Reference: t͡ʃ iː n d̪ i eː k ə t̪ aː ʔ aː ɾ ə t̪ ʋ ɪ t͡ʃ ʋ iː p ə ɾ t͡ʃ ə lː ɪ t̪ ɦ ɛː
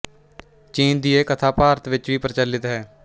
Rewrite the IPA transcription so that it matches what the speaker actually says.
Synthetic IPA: t͡ʃ iː n d̪ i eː k ə t̪ʰ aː p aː ɾ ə t̪ ʋ ɪ t͡ʃ ʋ iː p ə ɾ t͡ʃ ə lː ɪ t̪ ɦ ɛː